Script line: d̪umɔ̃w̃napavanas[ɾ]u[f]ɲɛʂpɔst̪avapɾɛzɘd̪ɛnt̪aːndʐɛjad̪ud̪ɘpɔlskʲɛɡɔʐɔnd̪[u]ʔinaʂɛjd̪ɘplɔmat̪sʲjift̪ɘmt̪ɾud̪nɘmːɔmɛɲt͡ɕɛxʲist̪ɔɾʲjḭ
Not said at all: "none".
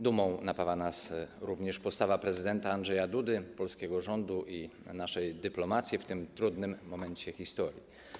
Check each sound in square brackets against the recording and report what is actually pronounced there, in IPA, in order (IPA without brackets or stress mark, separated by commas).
ɾ, v, u